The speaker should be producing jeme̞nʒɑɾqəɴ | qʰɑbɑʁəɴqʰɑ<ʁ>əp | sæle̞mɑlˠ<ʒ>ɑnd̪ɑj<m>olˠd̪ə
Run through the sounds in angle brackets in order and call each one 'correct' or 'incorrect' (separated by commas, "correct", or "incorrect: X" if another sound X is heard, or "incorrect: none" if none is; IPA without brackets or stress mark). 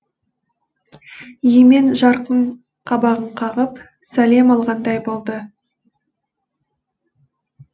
correct, incorrect: ʁ, incorrect: b